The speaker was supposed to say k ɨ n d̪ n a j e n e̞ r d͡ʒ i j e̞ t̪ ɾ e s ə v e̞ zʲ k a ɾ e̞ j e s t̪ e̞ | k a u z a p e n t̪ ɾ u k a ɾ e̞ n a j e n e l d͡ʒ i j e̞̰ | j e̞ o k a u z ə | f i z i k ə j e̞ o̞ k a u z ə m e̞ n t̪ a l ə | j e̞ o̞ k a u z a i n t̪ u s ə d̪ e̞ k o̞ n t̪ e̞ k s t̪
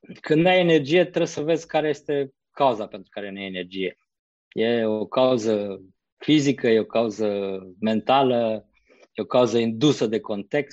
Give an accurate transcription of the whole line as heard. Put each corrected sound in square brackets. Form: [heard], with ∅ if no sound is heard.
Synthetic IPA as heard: k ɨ n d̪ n a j e n e̞ r d͡ʒ i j e̞ t̪ ɾ e s ə v e̞ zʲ k a ɾ e̞ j e s t̪ e̞ | k a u z a p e n t̪ ɾ u k a ɾ e̞ n a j e n e [r] d͡ʒ i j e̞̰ | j e̞ o k a u z ə | f i z i k ə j e̞ o̞ k a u z ə m e̞ n t̪ a l ə | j e̞ o̞ k a u z [ə] i n [d̪] u s ə d̪ e̞ k o̞ n t̪ e̞ k s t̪